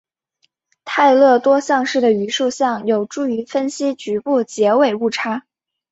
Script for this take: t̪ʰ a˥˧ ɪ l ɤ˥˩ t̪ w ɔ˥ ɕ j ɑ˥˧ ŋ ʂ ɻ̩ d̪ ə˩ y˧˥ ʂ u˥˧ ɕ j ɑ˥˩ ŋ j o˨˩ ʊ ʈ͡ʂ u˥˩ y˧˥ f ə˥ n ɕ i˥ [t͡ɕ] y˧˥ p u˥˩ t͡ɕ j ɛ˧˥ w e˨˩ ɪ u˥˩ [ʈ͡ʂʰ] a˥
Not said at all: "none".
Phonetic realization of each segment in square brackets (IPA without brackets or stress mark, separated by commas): t͡ɕ, ʈ͡ʂʰ